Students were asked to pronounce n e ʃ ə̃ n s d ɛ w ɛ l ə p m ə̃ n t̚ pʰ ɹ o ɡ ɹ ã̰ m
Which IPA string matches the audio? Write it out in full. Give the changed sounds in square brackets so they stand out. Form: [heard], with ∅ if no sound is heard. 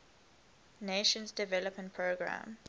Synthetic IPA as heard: n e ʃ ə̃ n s d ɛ [v] ɛ l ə p m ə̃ n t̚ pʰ ɹ o ɡ ɹ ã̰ m